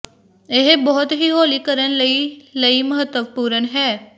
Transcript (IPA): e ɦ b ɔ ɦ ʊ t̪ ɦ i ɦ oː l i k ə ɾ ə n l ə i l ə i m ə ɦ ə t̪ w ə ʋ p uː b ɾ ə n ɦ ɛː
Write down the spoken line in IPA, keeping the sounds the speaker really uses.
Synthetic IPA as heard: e ɦ b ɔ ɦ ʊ t̪ ɦ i ɦ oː l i k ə ɾ ə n l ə i l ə i m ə ɦ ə t̪ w ə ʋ p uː ɾ ə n ɦ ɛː